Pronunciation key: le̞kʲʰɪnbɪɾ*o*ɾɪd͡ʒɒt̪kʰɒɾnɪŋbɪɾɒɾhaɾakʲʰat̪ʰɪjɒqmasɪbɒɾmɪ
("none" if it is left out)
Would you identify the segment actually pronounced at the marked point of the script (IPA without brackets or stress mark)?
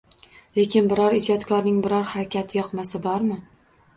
ɒ